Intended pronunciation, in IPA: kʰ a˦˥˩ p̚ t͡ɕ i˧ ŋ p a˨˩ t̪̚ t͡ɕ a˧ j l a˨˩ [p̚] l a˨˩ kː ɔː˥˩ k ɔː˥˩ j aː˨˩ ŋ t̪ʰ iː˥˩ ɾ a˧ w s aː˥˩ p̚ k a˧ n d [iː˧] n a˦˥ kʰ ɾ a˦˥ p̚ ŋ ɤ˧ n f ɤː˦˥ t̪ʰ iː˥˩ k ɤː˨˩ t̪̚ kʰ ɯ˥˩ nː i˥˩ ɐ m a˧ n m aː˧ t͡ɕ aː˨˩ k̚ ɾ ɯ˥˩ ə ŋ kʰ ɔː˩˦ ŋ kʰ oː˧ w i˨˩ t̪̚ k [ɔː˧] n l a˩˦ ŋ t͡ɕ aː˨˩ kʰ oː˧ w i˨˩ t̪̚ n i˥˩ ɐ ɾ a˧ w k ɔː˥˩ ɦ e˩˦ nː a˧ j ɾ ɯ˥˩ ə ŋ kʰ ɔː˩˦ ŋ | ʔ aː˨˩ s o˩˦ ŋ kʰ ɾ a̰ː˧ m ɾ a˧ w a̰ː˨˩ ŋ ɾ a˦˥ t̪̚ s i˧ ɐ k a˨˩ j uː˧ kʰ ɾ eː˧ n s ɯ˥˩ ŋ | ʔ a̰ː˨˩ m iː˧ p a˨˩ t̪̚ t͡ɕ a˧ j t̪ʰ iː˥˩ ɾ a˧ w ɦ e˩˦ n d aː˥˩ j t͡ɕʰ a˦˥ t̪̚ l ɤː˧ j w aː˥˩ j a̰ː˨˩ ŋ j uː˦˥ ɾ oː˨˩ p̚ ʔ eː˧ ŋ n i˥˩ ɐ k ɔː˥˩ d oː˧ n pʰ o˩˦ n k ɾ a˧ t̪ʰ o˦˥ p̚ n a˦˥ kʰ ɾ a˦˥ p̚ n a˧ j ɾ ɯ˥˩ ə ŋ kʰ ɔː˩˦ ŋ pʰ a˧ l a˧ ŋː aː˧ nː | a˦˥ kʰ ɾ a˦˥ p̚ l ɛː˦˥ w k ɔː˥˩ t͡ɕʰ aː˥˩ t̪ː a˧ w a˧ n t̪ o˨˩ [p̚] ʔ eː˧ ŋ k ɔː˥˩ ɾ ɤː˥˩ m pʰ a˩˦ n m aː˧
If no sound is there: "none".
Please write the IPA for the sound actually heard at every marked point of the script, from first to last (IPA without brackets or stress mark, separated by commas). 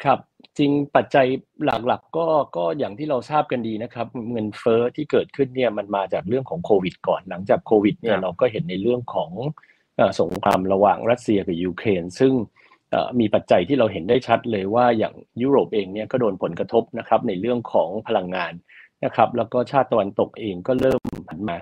k̚, iː˧, ɔː˨˩, k̚